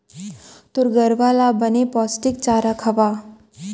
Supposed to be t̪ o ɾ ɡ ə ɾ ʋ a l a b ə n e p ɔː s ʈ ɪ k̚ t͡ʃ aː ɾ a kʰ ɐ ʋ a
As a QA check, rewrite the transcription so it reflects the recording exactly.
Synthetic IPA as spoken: t̪ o ɾ ɡ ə ɾ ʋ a l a b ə n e p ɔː s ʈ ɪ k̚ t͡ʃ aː ɾ a kʰ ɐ ʋ a